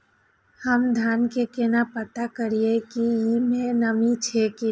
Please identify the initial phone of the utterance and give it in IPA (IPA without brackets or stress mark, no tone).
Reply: h